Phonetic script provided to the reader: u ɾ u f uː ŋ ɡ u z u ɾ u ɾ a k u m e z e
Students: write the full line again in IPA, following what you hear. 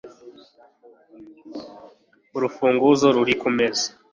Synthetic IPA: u ɾ u f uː ŋ ɡ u z o ɾ u ɾ i k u m e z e

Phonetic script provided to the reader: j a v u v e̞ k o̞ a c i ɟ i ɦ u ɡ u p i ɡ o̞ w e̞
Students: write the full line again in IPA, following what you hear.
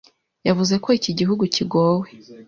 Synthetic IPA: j a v u z e̞ k o̞ i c i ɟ i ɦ u ɡ u c i ɡ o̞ w e̞

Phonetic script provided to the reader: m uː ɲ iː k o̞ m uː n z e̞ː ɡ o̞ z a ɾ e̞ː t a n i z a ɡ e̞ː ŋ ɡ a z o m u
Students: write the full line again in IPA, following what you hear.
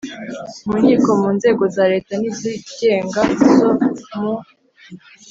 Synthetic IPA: m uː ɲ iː k o̞ m uː n z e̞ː ɡ o̞ z a ɾ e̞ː t a n i z i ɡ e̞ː ŋ ɡ a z o m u

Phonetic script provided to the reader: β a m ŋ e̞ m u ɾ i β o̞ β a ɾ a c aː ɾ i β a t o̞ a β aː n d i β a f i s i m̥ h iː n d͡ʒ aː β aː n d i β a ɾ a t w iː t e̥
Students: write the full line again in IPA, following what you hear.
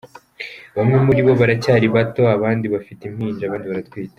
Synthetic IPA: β a m ŋ e̞ m u ɾ i β o̞ β a ɾ a c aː ɾ i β a t o̞ a β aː n d i β a f i t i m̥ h iː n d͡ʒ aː β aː n d i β a ɾ a t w iː t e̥

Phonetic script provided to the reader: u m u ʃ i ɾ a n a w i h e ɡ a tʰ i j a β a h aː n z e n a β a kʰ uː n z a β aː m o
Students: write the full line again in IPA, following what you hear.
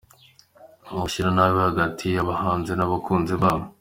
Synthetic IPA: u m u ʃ i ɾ a n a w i h a ɡ a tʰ i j a β a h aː n z e n a β a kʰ uː n z i β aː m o

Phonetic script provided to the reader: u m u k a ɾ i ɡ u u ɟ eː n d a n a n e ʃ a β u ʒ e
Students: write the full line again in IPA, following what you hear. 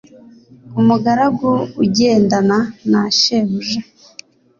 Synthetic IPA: u m u ɡ a ɾ a ɡ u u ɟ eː n d a n a n a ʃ e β u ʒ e

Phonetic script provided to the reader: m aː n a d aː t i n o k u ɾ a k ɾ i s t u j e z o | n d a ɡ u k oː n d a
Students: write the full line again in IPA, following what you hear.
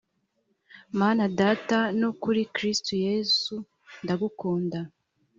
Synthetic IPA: m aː n a d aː t a n o k u ɾ i k ɾ i s t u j e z u | n d a ɡ u k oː n d a

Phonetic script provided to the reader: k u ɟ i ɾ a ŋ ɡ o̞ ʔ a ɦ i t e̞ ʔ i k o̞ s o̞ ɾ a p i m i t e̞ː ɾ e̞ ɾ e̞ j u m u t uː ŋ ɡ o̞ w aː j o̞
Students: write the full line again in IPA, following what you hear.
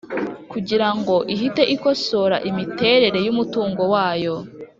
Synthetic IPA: k u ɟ i ɾ a ŋ ɡ o̞ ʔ i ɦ i t e̞ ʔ i k o̞ s o̞ ɾ a ʔ i m i t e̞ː ɾ e̞ ɾ e̞ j u m u t uː ŋ ɡ o̞ w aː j o̞

